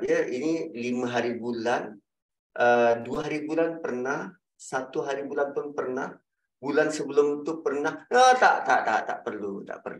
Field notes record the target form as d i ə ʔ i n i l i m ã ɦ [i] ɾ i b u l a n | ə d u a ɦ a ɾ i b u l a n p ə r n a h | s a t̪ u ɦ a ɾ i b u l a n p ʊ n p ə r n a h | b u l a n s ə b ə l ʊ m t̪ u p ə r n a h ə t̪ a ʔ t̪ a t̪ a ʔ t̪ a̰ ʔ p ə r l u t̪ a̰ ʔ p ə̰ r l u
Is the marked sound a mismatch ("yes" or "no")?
yes